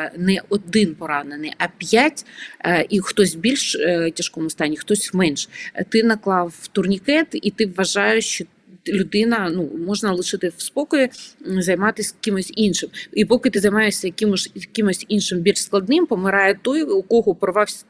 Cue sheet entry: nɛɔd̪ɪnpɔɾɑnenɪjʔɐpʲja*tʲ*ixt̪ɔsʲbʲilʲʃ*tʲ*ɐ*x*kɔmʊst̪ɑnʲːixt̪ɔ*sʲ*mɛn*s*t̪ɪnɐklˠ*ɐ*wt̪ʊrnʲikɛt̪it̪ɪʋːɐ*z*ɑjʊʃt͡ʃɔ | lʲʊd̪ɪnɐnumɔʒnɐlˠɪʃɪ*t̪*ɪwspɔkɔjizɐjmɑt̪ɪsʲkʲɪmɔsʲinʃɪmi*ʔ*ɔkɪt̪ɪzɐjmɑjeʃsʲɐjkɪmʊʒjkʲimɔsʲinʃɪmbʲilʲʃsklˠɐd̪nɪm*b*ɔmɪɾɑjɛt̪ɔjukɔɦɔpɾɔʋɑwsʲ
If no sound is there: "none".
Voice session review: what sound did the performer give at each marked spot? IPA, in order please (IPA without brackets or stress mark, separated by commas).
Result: tʲ, tʲ, ʃ, sʲ, ʃ, ɑ, ʒ, t̪, p, p